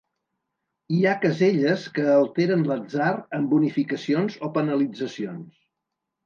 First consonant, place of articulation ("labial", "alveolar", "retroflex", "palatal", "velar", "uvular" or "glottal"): velar